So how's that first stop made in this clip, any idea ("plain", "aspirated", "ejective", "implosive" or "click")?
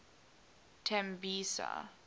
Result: aspirated